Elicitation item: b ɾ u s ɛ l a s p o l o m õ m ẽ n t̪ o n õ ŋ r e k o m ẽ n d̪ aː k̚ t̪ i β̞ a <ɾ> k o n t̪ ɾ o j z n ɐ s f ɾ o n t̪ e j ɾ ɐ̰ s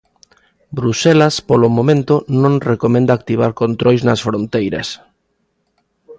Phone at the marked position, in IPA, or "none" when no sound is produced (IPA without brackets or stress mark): ɾ